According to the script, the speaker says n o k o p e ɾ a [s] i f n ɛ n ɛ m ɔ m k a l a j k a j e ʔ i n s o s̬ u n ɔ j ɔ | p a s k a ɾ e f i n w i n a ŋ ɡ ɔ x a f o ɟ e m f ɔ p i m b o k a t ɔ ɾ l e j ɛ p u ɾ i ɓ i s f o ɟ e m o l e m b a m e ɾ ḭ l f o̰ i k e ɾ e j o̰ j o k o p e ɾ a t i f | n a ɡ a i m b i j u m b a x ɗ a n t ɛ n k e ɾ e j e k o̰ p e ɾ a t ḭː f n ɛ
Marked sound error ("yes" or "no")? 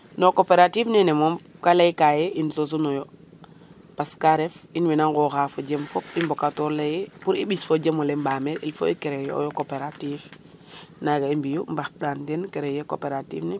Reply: yes